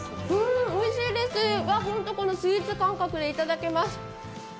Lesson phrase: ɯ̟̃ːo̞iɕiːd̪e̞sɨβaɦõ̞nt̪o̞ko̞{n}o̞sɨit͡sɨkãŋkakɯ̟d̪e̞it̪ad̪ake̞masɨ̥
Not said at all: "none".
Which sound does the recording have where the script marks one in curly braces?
n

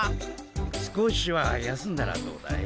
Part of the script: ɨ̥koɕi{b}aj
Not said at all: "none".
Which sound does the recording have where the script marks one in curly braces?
β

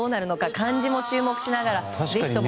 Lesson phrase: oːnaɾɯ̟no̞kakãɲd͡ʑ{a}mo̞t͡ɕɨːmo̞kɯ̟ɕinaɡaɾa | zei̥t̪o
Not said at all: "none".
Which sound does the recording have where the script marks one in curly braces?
i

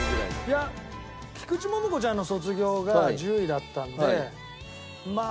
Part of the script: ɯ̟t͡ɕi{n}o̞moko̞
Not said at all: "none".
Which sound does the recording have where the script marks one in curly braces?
m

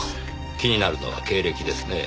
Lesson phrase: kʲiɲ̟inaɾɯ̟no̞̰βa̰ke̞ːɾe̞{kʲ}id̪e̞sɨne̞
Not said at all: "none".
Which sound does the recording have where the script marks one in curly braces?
kʲ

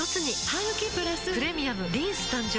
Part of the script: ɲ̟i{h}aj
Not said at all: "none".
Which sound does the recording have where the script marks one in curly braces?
h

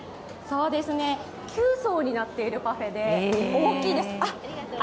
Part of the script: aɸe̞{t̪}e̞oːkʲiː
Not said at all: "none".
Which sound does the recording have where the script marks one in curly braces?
d̪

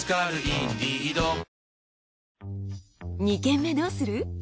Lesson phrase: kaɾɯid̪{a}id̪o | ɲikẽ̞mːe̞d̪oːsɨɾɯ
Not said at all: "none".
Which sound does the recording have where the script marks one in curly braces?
i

